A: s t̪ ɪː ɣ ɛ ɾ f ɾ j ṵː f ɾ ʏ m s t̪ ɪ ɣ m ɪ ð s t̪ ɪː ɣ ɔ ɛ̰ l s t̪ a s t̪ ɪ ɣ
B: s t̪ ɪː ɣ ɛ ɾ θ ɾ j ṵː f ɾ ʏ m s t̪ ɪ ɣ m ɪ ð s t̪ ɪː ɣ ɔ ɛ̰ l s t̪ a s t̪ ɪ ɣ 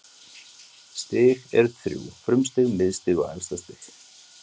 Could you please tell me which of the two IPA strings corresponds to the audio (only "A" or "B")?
B